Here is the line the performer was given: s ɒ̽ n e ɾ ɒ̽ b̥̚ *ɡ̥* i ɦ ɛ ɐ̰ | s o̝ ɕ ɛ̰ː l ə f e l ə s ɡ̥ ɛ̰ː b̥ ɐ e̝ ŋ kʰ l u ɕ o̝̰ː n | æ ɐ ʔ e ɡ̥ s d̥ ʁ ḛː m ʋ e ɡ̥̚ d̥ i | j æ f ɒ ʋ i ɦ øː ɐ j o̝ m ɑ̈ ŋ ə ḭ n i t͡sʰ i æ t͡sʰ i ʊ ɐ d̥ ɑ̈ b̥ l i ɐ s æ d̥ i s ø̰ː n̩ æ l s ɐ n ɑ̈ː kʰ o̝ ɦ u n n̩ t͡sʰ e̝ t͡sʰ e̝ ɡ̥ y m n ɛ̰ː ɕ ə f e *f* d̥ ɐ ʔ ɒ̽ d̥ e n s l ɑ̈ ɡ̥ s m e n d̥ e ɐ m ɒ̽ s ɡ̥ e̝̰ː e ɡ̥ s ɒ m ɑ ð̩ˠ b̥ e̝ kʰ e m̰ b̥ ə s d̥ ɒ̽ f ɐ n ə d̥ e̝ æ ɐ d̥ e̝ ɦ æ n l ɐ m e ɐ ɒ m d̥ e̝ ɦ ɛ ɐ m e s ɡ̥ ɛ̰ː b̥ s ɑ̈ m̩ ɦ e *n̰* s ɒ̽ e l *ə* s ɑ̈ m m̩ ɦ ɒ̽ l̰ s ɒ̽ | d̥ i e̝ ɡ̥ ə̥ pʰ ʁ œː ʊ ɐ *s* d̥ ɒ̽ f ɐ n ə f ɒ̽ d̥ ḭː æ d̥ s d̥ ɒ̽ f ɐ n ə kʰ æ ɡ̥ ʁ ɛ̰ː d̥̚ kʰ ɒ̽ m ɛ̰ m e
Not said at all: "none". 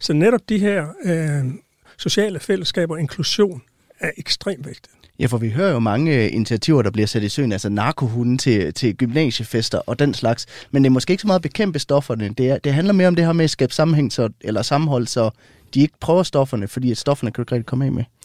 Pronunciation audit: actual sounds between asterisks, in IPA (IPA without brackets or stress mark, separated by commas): d̥, s, ŋ̰, ɐ, s